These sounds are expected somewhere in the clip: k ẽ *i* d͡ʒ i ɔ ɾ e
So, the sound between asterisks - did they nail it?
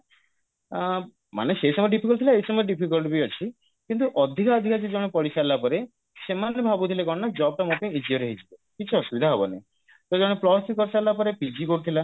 yes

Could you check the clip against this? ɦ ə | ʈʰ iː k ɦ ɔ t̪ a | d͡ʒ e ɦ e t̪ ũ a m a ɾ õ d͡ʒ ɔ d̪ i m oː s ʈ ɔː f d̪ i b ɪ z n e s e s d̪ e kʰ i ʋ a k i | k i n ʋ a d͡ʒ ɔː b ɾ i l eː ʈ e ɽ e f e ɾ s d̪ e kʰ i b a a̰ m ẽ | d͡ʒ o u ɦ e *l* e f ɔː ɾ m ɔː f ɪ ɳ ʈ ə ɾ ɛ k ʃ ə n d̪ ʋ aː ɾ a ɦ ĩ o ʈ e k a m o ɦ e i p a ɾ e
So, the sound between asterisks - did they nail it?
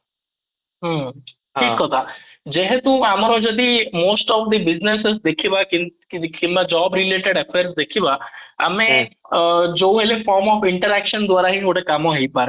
yes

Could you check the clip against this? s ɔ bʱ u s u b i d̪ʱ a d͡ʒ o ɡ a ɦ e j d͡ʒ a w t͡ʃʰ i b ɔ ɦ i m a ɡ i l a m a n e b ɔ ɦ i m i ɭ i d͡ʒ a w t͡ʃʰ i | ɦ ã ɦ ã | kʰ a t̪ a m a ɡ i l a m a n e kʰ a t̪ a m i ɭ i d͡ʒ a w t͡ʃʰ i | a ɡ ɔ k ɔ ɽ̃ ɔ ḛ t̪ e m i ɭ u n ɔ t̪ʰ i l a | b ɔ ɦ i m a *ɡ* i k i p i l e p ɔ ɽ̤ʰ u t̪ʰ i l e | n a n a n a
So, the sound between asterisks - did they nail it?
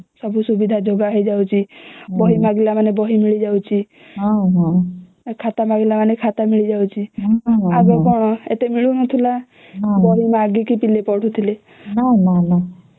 yes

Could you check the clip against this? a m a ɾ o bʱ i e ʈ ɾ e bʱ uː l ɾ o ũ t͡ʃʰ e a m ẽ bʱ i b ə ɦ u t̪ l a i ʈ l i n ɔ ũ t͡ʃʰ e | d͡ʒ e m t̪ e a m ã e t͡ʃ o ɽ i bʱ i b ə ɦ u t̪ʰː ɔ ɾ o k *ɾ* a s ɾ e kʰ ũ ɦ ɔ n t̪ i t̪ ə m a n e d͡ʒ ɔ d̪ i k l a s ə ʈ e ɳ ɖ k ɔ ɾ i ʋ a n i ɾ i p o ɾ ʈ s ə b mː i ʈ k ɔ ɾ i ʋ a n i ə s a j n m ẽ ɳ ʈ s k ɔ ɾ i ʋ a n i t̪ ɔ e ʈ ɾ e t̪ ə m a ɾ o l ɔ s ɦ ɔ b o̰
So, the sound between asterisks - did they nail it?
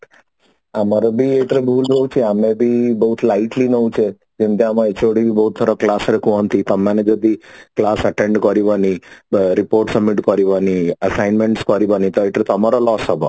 no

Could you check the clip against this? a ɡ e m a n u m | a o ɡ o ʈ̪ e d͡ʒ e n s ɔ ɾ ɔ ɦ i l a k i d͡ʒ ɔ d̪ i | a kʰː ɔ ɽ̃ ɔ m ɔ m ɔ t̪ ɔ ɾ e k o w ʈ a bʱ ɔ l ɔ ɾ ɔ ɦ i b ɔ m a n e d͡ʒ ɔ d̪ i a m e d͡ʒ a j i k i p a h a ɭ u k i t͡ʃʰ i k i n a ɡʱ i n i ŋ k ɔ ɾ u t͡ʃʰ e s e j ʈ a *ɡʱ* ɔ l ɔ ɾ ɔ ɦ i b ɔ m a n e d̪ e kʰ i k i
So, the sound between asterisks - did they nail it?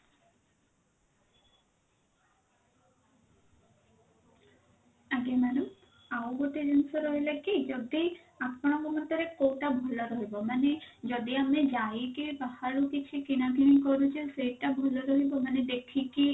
no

